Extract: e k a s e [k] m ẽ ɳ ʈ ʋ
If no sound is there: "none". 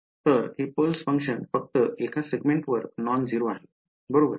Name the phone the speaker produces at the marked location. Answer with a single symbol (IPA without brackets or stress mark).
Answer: ɡ